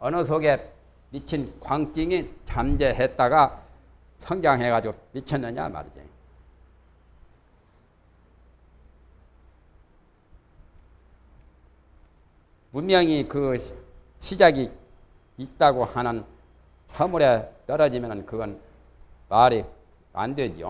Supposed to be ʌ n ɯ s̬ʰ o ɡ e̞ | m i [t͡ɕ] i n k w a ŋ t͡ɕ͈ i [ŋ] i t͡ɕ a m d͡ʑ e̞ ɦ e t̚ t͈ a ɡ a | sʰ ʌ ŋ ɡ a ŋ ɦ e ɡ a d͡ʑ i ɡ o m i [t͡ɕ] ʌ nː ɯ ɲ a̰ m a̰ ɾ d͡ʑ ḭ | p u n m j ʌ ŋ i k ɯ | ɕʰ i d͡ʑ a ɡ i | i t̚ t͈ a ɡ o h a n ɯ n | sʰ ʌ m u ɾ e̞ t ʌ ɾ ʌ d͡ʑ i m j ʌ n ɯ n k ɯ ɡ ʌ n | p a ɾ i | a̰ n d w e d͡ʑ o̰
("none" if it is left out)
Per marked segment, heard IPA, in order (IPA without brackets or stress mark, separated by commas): t͡ɕʰ, ŋ, t͡ɕʰ